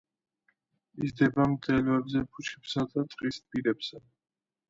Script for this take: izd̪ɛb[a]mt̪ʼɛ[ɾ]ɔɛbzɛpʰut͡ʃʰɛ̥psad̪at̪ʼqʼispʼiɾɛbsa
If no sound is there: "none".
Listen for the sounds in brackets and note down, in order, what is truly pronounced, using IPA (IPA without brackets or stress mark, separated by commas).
a, l